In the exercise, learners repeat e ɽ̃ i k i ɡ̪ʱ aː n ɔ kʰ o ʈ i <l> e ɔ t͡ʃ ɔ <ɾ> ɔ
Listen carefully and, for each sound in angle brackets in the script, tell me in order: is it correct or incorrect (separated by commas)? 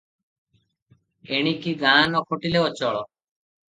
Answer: correct, incorrect